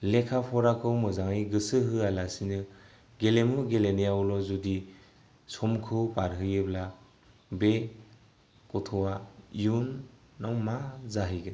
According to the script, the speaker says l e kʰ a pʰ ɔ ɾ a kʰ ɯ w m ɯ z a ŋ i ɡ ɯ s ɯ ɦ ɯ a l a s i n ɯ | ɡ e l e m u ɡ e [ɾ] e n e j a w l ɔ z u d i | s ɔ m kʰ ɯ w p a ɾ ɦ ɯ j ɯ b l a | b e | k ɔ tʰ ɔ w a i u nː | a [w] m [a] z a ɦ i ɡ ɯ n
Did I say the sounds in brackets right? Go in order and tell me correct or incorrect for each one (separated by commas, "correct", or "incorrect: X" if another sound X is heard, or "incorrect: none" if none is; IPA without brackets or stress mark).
incorrect: l, correct, correct